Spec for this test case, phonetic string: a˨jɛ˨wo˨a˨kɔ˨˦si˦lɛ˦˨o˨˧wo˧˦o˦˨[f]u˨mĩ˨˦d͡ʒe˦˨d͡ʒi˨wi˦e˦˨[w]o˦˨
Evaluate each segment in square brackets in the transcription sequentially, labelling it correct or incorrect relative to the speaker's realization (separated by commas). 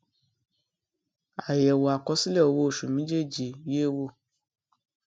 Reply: incorrect, correct